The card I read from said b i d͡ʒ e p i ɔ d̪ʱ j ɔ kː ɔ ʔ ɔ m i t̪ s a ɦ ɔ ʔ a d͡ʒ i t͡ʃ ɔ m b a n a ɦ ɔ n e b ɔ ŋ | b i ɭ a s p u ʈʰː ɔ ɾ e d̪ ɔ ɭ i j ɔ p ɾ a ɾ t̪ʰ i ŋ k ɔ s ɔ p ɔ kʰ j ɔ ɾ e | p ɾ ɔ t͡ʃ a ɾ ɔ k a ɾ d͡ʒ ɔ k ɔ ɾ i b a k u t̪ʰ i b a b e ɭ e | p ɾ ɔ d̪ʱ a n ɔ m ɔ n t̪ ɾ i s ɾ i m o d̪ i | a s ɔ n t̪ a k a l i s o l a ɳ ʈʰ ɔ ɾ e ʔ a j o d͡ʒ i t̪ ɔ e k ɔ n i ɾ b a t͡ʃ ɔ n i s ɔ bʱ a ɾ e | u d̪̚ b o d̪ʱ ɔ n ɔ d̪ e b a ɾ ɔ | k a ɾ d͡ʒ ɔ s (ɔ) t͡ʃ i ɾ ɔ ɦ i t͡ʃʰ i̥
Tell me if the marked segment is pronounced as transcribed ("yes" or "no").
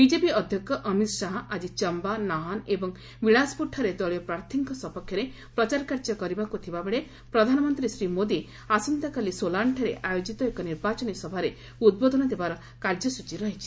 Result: no